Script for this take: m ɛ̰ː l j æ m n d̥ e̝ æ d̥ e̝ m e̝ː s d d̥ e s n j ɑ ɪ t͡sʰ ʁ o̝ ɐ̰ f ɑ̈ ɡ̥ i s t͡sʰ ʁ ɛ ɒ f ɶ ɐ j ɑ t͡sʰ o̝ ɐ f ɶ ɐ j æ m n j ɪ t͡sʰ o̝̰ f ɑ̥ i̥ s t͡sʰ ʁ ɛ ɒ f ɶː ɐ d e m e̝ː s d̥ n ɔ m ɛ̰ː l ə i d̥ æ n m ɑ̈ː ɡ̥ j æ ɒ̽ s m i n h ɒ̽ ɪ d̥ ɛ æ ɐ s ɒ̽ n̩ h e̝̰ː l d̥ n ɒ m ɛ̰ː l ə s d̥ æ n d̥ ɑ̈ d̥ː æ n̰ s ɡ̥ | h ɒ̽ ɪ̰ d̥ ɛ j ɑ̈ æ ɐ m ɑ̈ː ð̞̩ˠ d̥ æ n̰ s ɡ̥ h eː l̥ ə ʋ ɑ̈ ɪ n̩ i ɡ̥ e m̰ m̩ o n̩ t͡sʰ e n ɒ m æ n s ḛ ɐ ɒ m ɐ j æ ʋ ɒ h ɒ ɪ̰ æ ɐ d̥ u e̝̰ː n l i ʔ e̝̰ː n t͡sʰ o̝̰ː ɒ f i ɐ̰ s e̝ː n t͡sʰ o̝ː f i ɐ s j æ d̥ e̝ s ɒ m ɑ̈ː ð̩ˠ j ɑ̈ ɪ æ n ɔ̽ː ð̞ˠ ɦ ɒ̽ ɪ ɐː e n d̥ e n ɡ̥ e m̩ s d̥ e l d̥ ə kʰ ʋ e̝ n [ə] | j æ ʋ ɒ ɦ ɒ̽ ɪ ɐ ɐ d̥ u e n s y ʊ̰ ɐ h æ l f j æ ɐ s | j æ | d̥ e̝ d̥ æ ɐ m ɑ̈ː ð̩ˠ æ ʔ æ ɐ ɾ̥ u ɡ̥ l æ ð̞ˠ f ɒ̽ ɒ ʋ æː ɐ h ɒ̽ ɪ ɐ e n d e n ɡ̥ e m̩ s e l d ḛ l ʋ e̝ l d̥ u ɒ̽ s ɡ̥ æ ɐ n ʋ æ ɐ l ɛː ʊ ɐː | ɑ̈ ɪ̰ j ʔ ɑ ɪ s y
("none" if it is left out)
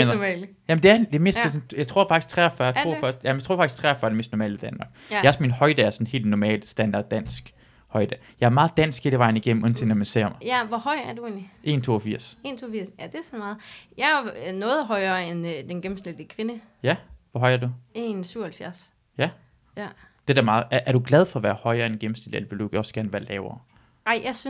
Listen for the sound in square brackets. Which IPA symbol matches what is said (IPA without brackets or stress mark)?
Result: ə